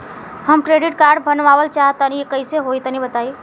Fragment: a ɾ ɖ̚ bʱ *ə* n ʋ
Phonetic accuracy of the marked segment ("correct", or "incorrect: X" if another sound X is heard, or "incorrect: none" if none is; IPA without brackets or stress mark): correct